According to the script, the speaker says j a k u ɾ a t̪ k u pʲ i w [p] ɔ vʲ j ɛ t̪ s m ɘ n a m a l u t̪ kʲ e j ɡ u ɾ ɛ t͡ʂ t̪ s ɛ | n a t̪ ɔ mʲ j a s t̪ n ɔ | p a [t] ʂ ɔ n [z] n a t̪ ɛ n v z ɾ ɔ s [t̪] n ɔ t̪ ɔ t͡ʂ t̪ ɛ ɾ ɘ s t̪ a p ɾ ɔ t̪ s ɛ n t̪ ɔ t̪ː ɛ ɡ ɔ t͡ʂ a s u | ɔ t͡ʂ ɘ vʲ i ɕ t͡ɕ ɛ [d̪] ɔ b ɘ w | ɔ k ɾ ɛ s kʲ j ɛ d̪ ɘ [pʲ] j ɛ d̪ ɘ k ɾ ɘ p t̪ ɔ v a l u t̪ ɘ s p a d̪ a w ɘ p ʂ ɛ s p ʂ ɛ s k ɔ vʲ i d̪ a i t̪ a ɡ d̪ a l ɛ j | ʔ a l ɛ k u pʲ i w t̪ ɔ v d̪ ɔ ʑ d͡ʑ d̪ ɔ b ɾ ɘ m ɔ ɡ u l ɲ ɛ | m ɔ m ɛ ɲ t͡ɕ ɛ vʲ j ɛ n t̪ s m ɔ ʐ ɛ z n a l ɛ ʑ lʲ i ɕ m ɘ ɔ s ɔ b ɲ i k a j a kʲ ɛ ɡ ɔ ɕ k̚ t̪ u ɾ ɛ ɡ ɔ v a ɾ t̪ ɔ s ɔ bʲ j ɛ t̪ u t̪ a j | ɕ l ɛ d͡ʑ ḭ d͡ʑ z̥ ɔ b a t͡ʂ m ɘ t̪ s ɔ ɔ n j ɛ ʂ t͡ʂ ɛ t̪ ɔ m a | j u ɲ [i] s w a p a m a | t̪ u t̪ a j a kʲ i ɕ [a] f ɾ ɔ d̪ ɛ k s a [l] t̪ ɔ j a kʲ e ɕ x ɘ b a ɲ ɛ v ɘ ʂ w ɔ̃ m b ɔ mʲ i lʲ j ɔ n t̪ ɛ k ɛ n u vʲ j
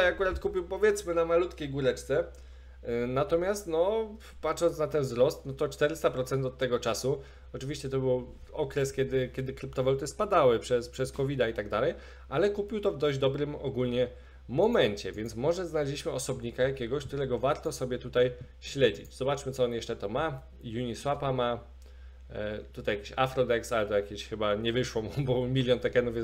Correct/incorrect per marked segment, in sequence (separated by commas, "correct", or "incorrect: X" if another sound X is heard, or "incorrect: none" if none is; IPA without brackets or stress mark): correct, correct, incorrect: s, correct, incorrect: t̪, incorrect: kʲ, correct, correct, correct